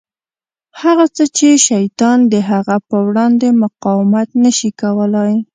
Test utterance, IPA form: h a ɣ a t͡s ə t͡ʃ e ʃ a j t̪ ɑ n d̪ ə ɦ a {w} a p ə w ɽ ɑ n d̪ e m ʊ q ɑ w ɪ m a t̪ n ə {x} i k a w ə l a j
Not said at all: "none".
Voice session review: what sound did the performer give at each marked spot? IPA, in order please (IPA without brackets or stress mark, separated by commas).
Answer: ɣ, ʃ